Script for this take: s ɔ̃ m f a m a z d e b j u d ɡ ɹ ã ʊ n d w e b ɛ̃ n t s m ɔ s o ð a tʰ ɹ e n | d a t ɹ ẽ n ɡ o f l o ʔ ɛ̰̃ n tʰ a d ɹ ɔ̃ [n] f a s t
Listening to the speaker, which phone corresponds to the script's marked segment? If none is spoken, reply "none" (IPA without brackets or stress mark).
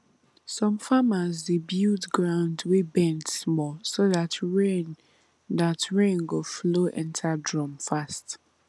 m